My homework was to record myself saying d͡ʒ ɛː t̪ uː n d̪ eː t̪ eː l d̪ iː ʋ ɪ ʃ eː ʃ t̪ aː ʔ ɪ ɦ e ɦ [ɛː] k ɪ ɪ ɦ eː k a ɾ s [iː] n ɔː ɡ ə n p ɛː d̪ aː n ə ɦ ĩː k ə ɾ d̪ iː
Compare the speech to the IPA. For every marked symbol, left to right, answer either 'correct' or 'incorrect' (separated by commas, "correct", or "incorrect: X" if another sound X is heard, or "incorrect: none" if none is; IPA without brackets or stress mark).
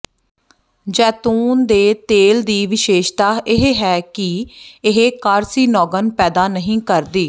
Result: correct, correct